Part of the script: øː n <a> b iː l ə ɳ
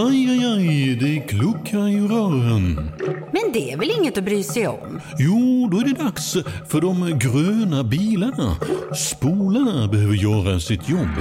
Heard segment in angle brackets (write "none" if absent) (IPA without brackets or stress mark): a